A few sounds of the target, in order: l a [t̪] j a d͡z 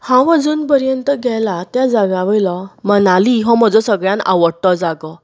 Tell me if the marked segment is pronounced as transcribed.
yes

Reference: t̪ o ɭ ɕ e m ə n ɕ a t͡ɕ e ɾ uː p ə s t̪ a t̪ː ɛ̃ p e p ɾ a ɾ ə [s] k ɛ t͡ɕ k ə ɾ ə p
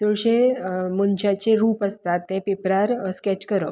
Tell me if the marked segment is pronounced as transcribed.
yes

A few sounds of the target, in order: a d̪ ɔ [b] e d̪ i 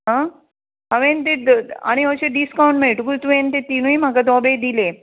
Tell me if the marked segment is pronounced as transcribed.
yes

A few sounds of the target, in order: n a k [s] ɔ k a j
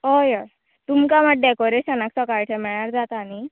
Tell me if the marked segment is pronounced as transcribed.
yes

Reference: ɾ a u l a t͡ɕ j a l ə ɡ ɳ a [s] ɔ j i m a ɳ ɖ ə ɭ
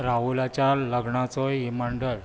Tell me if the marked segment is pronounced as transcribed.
no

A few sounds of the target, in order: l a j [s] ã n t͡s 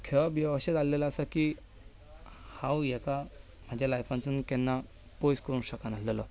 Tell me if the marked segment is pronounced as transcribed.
no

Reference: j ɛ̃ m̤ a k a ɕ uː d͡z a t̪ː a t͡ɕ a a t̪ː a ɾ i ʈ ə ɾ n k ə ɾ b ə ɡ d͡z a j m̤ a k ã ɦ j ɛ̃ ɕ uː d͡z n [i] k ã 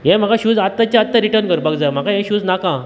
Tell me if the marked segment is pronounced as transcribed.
no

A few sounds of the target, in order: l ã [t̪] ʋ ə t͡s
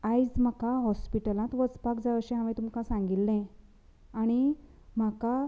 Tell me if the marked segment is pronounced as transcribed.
yes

